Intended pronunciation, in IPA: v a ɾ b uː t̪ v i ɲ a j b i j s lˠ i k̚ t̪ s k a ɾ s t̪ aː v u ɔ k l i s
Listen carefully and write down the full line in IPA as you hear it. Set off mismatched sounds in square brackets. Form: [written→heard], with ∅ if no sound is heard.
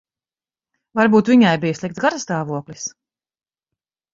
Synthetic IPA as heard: v a ɾ b uː t̪ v i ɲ a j b i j s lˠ i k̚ t̪ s [k→ɡ] a ɾ s t̪ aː v u ɔ k l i s